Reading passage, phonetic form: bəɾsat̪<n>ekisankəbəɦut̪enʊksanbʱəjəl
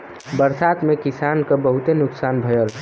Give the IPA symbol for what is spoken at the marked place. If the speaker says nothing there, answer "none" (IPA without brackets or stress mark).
m